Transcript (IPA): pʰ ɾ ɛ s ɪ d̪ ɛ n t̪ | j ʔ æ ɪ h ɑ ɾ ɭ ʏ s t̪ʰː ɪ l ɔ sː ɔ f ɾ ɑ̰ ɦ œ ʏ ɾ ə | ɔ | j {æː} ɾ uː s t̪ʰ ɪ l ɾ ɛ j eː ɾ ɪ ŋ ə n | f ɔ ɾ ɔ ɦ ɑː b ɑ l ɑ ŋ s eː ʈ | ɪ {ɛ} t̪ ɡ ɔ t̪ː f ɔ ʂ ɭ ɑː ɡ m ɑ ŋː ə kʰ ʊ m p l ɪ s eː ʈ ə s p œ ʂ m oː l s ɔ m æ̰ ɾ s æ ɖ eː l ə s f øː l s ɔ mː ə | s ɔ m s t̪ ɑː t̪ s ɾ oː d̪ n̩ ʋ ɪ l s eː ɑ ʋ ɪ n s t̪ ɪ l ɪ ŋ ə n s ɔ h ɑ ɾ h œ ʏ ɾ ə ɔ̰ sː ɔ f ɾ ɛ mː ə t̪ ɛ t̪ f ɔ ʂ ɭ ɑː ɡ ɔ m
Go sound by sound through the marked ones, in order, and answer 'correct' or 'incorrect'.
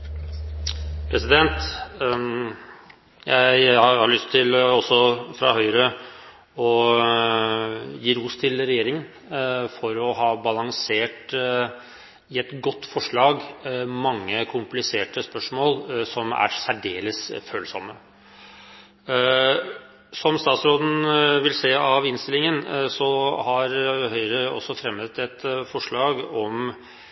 incorrect, correct

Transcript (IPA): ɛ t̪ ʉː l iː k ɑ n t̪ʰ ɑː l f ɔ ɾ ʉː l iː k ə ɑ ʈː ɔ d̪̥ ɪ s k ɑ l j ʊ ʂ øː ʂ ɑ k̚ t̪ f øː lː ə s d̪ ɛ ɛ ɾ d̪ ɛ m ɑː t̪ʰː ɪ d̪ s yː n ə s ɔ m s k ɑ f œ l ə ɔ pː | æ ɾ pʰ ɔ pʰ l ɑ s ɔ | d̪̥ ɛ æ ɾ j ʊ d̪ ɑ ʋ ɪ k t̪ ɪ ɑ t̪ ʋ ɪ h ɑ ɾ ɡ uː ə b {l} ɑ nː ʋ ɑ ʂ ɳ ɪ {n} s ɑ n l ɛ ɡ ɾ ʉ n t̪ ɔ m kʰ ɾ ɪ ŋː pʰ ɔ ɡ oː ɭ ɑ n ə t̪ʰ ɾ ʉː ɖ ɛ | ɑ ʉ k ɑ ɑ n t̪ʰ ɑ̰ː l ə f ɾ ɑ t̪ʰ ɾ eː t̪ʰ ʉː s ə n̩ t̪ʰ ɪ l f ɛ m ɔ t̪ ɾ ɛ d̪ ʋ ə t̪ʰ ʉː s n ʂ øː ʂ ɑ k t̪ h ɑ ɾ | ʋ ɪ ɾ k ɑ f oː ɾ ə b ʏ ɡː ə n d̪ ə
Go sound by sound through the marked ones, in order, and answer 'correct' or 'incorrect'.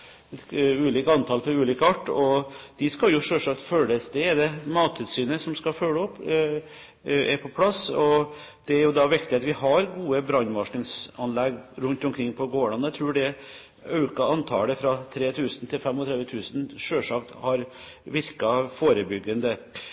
incorrect, incorrect

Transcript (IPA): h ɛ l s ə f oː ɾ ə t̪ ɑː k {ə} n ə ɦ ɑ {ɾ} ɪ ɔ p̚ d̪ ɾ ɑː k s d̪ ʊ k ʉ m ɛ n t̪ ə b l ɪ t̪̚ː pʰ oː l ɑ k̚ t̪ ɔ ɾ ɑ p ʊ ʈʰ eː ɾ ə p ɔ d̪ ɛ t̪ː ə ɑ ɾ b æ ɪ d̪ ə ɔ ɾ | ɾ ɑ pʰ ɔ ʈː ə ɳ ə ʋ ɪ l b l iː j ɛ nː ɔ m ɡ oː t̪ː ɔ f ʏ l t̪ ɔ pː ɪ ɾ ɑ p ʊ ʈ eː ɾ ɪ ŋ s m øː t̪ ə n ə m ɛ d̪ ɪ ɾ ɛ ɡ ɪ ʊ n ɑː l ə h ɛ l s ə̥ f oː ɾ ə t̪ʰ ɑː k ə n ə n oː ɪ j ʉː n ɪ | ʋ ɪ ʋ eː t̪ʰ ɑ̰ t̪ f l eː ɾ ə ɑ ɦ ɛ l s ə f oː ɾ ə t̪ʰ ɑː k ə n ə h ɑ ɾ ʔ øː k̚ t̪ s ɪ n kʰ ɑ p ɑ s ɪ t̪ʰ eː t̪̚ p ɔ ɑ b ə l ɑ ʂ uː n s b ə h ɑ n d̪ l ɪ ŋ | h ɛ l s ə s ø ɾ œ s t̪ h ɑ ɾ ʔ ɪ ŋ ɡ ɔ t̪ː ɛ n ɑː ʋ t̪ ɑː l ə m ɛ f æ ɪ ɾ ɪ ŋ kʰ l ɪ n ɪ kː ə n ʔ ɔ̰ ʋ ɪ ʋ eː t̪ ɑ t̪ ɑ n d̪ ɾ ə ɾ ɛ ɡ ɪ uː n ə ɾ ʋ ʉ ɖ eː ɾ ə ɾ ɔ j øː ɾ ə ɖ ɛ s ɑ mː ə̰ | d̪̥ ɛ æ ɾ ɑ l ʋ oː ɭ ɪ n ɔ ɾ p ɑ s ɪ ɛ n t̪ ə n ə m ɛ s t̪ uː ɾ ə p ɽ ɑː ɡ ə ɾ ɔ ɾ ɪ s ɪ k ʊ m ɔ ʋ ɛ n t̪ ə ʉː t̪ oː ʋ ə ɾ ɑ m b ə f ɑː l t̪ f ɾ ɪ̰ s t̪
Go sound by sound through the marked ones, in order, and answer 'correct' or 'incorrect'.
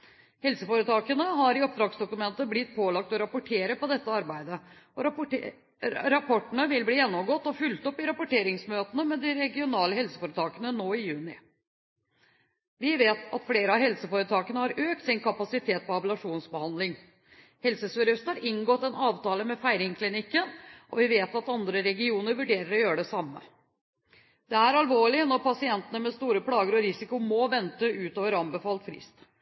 correct, correct

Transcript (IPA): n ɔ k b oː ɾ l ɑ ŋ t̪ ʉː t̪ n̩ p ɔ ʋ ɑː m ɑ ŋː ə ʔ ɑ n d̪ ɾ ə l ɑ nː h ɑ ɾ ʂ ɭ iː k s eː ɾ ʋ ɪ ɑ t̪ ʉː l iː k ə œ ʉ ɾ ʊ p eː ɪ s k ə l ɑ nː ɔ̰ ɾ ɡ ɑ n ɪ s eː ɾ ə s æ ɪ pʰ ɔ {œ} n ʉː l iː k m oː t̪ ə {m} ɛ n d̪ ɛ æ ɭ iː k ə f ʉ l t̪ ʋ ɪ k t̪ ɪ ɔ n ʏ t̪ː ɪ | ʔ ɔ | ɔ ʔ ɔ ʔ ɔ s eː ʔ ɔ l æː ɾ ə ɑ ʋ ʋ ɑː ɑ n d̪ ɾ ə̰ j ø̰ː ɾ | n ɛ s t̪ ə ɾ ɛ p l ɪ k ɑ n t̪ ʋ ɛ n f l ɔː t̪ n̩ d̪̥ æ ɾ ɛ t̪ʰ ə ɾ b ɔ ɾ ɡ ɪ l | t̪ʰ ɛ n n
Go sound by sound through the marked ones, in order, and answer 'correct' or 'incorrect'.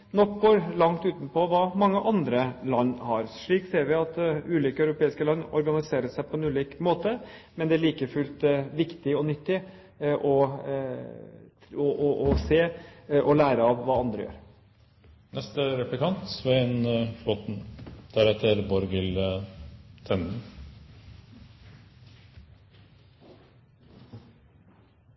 incorrect, correct

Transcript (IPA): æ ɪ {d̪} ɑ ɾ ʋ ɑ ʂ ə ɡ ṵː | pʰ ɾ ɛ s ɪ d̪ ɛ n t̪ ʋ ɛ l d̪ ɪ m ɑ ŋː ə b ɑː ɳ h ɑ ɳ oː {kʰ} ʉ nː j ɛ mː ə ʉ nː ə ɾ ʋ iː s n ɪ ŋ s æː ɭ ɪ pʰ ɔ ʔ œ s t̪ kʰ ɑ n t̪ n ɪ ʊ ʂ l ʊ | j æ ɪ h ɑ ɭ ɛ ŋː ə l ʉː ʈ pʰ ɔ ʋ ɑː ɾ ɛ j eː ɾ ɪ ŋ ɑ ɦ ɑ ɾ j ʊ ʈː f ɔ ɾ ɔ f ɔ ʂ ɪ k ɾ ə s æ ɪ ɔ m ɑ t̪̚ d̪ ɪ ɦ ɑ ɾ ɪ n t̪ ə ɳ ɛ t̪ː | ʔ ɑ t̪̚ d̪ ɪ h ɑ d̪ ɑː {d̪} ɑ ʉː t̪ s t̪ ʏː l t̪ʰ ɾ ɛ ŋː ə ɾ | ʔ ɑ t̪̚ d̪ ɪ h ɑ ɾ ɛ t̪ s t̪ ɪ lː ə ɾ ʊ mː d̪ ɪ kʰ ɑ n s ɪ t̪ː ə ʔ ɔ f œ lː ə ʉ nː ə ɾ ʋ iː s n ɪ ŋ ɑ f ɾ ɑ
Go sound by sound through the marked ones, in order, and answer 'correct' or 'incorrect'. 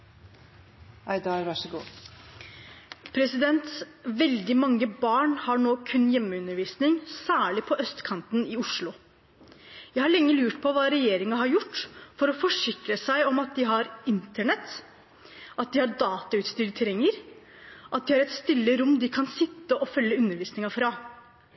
correct, correct, incorrect

